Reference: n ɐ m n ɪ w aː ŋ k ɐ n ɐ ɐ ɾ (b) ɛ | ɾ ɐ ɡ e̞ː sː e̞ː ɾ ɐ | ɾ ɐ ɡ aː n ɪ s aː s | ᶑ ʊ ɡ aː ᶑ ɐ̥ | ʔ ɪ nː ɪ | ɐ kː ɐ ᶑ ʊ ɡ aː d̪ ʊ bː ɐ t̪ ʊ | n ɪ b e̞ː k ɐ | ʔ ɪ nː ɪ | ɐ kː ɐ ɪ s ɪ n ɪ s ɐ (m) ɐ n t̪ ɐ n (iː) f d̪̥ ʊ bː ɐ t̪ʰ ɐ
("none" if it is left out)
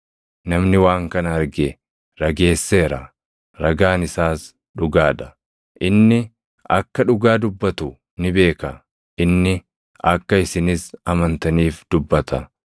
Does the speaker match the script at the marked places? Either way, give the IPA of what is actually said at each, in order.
ɡ, m, iː

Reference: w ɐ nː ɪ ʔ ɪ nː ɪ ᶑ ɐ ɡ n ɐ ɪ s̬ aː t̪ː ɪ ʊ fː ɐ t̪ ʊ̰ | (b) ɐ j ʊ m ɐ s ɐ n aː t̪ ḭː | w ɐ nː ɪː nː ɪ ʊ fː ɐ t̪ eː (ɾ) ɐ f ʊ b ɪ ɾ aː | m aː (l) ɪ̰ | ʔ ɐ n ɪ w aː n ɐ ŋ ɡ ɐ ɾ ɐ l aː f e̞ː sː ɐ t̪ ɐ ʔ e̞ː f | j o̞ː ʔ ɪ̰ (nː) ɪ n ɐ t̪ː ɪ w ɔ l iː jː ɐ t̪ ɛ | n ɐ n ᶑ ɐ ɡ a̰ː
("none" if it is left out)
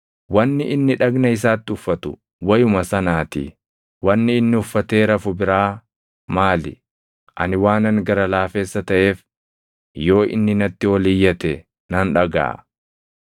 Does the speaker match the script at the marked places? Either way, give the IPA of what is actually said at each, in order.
w, ɾ, l, nː

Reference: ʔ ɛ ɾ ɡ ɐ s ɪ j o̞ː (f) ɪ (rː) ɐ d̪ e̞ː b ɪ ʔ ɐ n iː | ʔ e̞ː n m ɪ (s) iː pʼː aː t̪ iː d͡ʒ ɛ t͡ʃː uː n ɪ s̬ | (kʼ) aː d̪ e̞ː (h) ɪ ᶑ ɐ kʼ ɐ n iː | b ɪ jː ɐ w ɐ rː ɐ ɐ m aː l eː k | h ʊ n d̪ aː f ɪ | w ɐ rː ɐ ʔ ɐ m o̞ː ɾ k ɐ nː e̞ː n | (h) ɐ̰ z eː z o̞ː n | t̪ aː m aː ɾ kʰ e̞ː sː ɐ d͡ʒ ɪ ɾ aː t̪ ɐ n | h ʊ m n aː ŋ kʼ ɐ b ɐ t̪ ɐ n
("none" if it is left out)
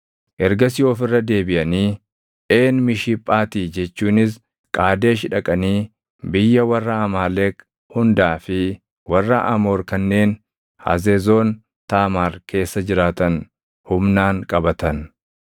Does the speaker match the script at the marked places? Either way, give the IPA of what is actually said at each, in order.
f, rː, ʃ, kʼ, ʃ, h

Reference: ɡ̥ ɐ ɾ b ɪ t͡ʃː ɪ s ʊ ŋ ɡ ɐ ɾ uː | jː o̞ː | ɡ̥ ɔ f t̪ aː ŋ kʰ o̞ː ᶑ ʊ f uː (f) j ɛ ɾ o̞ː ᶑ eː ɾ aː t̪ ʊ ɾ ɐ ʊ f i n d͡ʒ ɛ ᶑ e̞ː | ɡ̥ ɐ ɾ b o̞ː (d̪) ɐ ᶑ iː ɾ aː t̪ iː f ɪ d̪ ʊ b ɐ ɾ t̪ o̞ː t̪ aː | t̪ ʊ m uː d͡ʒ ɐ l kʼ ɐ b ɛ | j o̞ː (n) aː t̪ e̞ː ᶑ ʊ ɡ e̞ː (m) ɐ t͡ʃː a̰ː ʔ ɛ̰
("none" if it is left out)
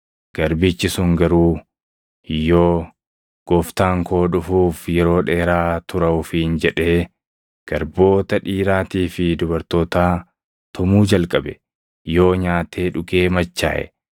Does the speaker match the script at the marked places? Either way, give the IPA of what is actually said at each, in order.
f, t̪, ɲ, m

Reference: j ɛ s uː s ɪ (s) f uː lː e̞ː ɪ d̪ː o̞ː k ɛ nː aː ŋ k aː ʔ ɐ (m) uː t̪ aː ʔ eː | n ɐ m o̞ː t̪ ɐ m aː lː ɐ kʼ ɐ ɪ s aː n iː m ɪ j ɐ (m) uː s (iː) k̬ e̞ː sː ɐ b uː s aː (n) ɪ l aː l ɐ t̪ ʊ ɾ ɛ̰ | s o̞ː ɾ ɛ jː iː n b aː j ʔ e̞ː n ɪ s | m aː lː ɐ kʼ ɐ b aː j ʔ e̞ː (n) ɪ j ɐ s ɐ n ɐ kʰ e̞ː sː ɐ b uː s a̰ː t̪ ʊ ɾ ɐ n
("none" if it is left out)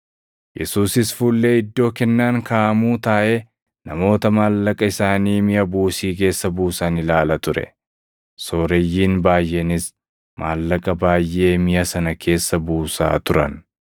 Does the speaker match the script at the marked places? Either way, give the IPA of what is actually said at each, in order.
s, m, b, iː, n, m

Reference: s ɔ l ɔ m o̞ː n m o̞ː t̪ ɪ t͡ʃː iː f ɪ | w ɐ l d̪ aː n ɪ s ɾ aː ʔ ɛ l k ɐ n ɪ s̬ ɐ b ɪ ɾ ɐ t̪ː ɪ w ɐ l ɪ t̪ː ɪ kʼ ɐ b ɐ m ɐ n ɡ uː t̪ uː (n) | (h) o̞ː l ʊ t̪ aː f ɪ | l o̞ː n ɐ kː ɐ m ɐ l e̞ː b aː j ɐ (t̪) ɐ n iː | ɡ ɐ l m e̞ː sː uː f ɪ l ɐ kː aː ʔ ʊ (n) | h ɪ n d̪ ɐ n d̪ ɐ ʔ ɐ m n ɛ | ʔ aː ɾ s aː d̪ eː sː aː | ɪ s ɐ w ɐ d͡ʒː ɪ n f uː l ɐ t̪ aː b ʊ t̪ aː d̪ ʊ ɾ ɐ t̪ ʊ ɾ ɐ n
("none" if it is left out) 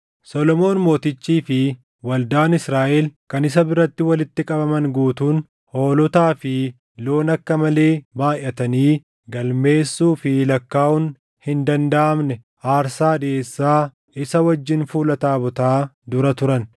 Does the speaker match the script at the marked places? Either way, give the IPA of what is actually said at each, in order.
n, h, t̪, n

